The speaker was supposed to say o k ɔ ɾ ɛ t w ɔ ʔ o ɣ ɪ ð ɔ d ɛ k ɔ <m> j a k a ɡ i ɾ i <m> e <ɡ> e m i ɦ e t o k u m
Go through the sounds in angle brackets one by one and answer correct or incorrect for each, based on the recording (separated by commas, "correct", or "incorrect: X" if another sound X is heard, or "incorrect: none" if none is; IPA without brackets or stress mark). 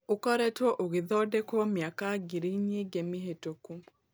correct, incorrect: ɲ, correct